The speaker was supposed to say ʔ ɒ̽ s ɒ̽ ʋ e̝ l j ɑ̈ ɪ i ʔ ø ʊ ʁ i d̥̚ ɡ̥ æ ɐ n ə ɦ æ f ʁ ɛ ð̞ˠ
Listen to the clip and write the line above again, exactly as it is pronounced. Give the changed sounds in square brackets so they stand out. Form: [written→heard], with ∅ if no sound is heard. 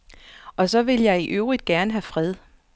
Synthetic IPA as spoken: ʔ ɒ̽ s ɒ̽ ʋ e̝ l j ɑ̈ ɪ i ʔ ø ʊ ʁ i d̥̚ ɡ̥ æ ɐ n ə ɦ æ f ʁ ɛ ð̞ˠ

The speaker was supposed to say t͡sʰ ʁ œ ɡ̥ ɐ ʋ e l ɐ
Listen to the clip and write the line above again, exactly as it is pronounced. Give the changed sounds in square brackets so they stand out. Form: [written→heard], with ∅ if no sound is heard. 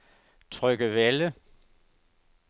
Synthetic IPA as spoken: t͡sʰ ʁ œ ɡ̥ [ɐ→ə] ʋ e l [ɐ→ə]

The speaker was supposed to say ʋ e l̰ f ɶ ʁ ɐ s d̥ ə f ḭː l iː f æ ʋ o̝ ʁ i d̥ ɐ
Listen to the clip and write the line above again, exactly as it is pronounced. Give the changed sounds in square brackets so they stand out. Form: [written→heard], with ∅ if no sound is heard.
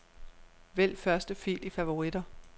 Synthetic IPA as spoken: ʋ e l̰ f ɶ [ʁ→∅] ɐ s d̥ ə f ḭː l [iː→i] f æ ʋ o̝ ʁ i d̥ ɐ

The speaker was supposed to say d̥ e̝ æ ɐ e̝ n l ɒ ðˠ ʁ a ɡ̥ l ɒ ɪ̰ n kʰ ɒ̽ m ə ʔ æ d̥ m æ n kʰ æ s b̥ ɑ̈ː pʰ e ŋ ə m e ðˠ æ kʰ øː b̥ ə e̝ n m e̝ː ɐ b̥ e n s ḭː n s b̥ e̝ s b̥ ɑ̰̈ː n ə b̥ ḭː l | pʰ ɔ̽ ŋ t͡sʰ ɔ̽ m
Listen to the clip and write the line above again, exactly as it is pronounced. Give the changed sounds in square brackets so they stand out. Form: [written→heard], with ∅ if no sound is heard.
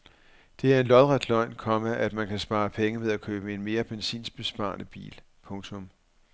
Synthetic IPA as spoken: d̥ e̝ æ ɐ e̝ n l ɒ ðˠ ʁ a [ɡ̥→d̥] l ɒ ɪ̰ n kʰ ɒ̽ m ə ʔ æ d̥ m æ n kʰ æ s b̥ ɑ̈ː pʰ e ŋ ə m e ðˠ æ kʰ øː b̥ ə e̝ n m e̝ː ɐ b̥ e n s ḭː n s b̥ e̝ s b̥ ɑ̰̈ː n ə b̥ ḭː l | pʰ ɔ̽ ŋ t͡sʰ ɔ̽ m

